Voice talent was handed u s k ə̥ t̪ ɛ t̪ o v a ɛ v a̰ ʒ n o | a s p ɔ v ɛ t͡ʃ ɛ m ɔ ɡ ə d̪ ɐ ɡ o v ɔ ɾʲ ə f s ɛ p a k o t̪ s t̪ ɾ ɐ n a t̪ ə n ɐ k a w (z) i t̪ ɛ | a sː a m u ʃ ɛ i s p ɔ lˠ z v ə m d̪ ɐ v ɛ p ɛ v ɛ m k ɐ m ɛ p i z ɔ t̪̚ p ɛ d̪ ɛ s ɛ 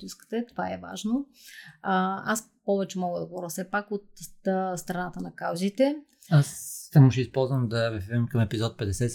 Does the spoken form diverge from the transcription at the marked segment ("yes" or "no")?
no